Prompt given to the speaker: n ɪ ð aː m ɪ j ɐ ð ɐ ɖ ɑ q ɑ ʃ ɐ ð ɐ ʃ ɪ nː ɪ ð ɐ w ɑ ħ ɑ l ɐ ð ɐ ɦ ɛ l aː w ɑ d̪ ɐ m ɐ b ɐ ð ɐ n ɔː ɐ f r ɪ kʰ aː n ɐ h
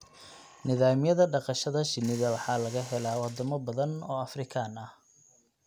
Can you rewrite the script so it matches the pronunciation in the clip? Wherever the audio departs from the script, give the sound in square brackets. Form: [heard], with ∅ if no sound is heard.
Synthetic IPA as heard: n ɪ ð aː m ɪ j ɐ ð ɐ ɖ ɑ q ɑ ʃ ɐ ð ɐ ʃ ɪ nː ɪ ð ɐ w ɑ ħ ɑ l ɐ [ɣ] ɐ ɦ ɛ l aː w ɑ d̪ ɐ m ɐ b ɐ ð ɐ n ɔː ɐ f r ɪ kʰ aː n ɐ h

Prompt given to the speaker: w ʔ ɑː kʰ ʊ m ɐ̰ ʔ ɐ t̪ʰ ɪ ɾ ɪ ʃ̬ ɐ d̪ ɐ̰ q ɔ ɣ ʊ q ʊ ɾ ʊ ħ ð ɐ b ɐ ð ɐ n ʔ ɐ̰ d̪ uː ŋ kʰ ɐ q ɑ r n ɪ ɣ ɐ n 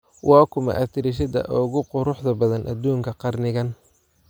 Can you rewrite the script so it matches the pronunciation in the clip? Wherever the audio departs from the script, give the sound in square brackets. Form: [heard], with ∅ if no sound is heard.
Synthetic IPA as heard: w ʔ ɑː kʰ ʊ m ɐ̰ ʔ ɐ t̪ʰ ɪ ɾ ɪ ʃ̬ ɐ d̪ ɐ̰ [ʔ] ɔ ɣ ʊ q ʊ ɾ ʊ ħ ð ɐ b ɐ ð ɐ n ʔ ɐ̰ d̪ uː ŋ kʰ ɐ q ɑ r n ɪ ɣ ɐ n

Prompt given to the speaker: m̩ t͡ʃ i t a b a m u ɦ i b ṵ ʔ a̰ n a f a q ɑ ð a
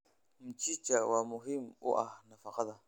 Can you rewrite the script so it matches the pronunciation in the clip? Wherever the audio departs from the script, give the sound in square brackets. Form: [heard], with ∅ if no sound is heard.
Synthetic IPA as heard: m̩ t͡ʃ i [t͡ʃ] a [w] a m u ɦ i [m] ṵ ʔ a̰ n a f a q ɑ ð a

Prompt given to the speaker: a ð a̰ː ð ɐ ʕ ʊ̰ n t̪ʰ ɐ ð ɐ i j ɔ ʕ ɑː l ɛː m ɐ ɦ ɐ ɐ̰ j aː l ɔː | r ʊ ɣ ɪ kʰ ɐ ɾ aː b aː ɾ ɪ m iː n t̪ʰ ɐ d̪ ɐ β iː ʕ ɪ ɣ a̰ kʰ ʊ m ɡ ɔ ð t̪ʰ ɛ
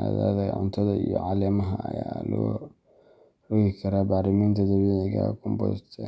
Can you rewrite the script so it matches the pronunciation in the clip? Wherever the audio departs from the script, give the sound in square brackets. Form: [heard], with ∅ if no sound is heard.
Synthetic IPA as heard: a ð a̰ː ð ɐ ʕ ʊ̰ n t̪ʰ ɐ ð ɐ i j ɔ ʕ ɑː l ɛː m ɐ ɦ ɐ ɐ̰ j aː l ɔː | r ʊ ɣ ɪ kʰ ɐ ɾ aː b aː ɾ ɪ m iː n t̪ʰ ɐ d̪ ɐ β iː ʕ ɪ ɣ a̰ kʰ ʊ m [b] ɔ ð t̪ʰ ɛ

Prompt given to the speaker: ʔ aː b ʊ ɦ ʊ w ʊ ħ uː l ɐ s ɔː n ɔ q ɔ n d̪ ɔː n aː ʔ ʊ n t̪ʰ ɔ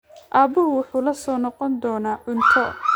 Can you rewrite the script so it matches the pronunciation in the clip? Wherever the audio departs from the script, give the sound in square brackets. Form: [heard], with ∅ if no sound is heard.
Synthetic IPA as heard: ʔ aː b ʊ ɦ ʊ w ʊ ħ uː l ɐ s ɔː n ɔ q ɔ n d̪ ɔː n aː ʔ ʊ n t̪ʰ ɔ

